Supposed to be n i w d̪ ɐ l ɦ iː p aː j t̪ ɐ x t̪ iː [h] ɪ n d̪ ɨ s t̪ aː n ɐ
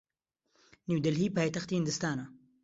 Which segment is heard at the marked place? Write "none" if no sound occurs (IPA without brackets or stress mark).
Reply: h